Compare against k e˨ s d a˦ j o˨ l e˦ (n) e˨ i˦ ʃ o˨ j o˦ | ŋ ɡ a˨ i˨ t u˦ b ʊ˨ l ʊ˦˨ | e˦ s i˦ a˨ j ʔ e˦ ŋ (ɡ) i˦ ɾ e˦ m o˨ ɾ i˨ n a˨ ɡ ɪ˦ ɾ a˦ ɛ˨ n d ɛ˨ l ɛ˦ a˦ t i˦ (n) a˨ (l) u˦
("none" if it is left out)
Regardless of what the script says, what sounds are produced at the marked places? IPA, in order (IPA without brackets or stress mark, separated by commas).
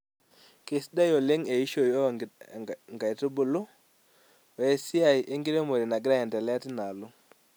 ŋ, ɡ, n, l